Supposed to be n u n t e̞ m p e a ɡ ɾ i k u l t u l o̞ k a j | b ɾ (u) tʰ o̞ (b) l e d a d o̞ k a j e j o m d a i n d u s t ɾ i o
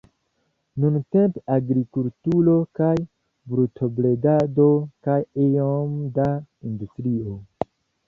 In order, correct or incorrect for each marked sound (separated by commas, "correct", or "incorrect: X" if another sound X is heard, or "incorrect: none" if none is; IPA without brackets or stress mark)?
correct, correct